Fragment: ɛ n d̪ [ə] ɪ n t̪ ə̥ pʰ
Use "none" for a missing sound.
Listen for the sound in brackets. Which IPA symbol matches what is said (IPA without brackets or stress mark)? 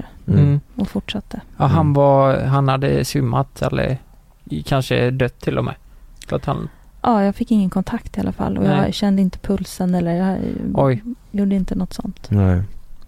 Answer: ə